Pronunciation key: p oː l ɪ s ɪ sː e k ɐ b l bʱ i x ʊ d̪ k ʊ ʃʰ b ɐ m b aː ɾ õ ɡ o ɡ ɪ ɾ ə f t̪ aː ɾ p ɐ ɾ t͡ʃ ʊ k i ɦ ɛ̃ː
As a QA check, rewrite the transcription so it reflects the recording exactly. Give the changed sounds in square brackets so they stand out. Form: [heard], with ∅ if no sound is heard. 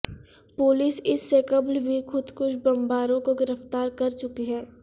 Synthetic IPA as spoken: p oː l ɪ s ɪ sː e k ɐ b l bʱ i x ʊ d̪ k ʊ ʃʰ b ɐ m b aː ɾ õ [k] o ɡ ɪ ɾ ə f t̪ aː ɾ [k] ɐ ɾ t͡ʃ ʊ k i ɦ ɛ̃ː